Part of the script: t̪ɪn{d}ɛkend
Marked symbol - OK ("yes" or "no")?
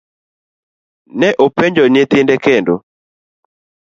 yes